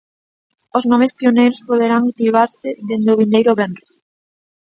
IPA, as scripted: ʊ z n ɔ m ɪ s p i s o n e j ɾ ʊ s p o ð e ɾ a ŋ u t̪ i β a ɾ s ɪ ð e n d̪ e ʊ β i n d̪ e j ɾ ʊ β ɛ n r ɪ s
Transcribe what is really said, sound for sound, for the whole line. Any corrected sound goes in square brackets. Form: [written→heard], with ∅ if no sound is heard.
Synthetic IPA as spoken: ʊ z n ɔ m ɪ s p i [s→∅] o n e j ɾ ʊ s p o ð e ɾ a ŋ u t̪ i β a ɾ s ɪ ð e n d̪ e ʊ β i n d̪ e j ɾ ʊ β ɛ n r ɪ s